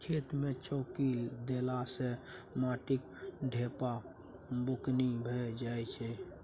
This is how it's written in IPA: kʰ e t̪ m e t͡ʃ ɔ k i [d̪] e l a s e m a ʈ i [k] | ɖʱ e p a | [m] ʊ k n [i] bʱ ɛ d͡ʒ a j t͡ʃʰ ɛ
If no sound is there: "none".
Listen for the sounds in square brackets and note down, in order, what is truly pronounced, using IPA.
d̪, k, b, i

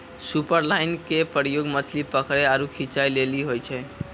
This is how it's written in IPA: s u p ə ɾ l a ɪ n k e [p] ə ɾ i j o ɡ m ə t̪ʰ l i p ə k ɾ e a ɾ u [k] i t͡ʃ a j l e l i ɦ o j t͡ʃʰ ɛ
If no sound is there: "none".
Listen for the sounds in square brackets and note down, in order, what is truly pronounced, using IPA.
p, kʰ

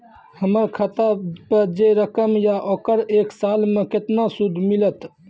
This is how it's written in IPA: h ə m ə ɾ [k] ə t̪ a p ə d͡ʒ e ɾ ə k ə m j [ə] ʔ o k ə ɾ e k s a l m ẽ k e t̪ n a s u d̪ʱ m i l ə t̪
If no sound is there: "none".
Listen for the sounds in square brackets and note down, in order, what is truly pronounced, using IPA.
kʰ, a

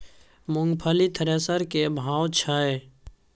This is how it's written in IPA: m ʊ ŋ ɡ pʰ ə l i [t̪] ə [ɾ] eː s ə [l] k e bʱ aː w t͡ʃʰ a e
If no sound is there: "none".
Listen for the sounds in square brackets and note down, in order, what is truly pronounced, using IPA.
t̪ʰ, ɾ, ɾ

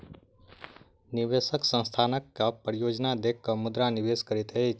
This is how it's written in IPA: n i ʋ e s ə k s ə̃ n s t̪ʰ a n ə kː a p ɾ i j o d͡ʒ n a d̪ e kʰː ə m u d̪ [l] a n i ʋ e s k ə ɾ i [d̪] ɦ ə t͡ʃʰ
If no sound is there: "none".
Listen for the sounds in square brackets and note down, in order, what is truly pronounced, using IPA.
ɾ, t̪

